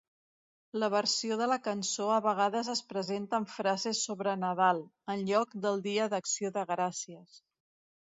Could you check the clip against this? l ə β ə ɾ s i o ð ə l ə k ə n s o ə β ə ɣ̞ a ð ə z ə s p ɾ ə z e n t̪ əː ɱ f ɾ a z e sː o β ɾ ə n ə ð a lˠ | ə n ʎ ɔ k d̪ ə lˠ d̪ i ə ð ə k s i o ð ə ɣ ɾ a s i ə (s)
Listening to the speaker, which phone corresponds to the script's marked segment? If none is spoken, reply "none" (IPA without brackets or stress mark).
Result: s